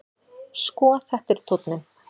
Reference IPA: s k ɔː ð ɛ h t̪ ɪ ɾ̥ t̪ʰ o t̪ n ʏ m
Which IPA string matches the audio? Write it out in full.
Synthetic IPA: s k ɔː θ ɛ h t̪ ɪ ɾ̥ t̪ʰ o t̪ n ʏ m